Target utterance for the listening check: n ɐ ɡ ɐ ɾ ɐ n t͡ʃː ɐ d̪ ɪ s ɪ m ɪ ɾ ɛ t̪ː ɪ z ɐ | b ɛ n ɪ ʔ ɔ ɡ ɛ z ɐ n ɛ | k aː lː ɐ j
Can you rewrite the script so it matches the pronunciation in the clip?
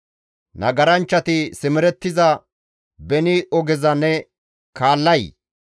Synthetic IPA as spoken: n ɐ ɡ ɐ ɾ ɐ n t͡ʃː ɐ t̪ ɪ s ɪ m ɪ ɾ ɛ t̪ː ɪ z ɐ | b ɛ n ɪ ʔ ɔ ɡ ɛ z ɐ n ɛ | k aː lː ɐ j